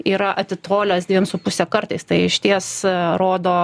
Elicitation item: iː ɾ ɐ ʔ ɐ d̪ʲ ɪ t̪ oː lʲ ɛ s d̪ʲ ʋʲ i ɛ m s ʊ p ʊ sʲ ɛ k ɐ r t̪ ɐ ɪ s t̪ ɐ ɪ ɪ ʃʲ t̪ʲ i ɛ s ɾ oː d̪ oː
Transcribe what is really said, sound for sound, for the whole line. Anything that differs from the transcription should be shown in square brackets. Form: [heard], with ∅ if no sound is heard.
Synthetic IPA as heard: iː ɾ ɐ ʔ ɐ [t̪ʲ] ɪ t̪ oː lʲ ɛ s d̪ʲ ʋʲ i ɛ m s ʊ p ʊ sʲ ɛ k ɐ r t̪ ɐ ɪ s t̪ ɐ ɪ ɪ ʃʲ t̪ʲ i ɛ s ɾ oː d̪ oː